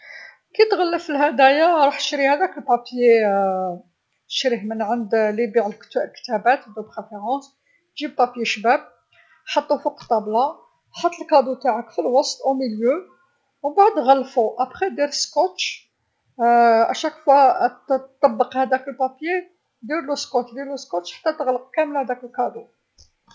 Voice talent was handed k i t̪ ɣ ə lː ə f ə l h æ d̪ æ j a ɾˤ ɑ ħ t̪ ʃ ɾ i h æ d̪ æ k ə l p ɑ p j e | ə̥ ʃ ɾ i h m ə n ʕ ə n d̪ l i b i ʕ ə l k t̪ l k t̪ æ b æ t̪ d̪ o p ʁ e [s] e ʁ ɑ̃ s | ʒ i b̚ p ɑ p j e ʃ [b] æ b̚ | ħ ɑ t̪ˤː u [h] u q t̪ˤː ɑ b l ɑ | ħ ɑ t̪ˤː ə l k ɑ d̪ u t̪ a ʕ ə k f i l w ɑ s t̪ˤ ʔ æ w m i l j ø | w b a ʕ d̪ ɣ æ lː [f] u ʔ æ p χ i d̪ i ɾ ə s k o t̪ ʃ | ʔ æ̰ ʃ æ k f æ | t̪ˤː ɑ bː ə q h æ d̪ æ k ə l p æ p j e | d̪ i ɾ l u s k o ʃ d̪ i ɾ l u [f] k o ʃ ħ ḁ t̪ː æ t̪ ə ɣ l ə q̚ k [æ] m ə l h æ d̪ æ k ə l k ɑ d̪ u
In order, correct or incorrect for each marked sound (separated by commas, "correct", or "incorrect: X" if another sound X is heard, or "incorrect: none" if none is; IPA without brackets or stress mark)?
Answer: incorrect: f, correct, incorrect: f, correct, incorrect: s, correct